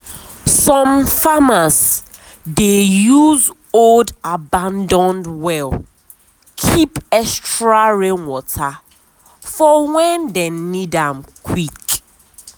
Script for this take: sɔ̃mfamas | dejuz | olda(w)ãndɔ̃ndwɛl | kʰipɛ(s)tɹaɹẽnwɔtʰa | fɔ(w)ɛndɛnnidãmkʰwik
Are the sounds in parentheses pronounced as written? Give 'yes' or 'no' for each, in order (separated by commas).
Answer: no, yes, yes